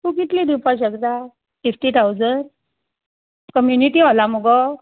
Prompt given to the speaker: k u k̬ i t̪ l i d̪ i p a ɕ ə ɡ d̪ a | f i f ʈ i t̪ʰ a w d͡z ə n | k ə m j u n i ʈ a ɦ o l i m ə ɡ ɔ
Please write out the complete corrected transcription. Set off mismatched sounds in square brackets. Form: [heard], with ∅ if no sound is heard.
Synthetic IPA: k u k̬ i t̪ l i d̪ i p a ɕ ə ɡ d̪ a | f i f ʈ i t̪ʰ a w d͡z ə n | k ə m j u n i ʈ [i] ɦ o l [a] m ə ɡ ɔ